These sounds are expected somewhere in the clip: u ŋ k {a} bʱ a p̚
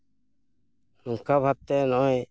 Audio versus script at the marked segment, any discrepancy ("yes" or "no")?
no